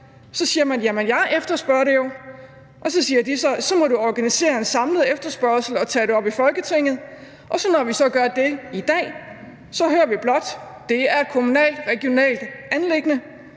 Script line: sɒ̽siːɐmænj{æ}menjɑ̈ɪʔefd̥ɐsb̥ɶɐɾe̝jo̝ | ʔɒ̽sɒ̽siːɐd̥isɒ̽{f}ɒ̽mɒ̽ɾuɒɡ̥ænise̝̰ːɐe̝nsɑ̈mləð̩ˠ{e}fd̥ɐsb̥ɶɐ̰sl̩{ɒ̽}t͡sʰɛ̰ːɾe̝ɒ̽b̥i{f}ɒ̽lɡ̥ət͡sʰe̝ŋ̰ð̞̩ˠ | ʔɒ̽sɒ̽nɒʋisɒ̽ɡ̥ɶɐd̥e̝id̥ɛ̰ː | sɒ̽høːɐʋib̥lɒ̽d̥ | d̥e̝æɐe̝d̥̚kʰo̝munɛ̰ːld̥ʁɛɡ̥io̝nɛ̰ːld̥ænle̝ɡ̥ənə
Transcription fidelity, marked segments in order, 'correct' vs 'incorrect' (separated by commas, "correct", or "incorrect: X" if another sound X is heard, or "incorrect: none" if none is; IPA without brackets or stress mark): correct, incorrect: s, correct, correct, correct